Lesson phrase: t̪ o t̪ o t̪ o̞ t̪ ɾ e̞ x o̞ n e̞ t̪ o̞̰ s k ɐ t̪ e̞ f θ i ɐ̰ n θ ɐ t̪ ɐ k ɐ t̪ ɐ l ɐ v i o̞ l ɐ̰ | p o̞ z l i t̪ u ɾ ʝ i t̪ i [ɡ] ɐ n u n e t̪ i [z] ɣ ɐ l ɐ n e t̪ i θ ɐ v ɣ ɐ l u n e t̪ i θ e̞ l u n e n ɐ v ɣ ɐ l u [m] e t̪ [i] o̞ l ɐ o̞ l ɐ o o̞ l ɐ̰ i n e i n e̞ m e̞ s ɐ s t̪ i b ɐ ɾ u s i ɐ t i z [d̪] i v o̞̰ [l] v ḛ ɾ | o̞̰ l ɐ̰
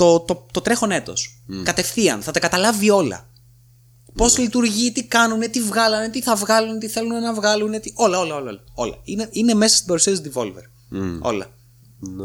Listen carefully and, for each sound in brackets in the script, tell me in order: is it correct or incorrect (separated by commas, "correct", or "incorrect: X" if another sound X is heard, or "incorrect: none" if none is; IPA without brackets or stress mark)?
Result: incorrect: k, incorrect: v, incorrect: n, correct, correct, correct